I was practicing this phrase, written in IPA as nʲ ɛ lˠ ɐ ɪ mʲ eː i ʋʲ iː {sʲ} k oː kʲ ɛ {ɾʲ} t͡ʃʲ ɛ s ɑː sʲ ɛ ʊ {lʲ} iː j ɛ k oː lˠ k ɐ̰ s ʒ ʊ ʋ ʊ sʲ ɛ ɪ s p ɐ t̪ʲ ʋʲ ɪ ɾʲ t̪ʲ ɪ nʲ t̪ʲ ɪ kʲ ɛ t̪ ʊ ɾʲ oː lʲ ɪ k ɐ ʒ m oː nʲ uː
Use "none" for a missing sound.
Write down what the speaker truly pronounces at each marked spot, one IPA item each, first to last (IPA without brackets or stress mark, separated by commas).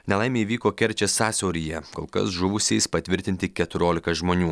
none, ɾʲ, ɾʲ